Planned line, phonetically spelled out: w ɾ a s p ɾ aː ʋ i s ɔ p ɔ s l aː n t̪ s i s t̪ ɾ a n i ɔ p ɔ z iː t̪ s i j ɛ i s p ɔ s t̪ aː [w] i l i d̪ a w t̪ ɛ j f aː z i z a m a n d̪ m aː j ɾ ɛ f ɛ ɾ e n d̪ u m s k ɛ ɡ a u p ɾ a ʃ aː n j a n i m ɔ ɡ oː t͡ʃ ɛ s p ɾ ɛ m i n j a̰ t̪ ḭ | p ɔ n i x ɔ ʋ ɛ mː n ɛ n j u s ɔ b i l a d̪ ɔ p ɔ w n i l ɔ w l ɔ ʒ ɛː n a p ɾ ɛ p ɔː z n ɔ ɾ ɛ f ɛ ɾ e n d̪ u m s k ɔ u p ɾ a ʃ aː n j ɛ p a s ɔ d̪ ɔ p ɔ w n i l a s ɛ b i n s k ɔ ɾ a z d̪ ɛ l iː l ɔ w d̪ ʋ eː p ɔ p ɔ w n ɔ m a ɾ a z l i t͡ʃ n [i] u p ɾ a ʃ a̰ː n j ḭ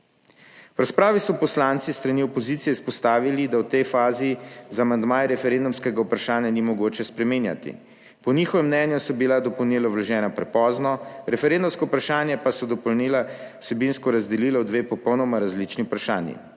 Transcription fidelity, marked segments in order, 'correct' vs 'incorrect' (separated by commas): incorrect, correct